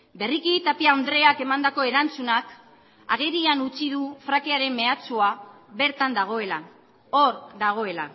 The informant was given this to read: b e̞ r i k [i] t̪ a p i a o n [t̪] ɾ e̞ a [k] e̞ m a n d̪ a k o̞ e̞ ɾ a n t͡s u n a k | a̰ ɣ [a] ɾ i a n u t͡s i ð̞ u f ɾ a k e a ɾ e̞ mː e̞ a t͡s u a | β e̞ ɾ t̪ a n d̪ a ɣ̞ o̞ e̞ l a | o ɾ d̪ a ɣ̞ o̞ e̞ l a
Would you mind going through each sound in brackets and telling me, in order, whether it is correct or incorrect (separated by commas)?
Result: correct, incorrect, correct, incorrect